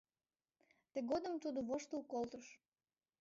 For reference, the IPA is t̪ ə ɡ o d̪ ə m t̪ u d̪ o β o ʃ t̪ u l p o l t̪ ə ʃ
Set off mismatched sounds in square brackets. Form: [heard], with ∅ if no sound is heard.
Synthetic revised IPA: t̪ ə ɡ o d̪ ə m t̪ u d̪ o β o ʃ t̪ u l [k] o l t̪ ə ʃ